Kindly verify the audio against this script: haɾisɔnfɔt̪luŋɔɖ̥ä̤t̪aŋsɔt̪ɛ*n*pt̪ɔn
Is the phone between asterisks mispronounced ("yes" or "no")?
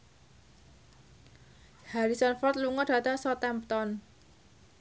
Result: yes